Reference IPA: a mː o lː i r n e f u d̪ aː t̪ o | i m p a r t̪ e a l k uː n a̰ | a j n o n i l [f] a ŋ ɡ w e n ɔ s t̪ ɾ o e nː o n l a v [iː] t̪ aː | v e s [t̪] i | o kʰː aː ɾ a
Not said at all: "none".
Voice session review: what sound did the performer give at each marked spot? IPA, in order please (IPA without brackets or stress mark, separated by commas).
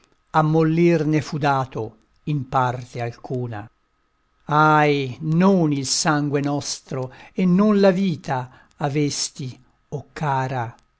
s, iː, t̪